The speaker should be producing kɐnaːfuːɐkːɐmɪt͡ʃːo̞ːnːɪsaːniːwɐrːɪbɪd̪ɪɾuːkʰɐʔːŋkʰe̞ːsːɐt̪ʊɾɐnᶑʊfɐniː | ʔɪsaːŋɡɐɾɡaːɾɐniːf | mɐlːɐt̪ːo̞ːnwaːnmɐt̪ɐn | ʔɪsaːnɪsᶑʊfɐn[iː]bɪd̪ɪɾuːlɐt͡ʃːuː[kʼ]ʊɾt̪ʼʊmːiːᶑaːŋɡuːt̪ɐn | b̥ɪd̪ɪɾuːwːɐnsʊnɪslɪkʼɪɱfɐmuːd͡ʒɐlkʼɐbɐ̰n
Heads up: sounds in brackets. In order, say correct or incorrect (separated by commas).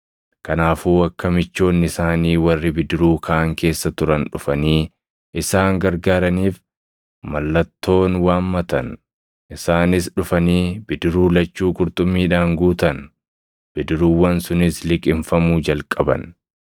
correct, correct